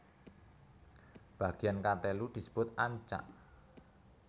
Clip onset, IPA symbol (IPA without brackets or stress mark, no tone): b̥